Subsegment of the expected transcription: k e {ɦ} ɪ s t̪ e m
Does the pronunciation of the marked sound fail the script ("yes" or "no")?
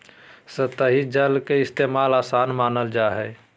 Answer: yes